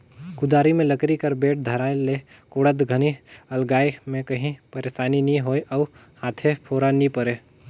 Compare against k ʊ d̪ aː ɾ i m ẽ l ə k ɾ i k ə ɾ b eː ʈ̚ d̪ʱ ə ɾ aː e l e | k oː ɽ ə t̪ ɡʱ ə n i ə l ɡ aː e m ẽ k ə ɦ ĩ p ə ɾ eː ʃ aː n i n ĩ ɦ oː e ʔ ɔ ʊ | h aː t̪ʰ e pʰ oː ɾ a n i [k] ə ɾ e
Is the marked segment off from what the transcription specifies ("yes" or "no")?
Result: yes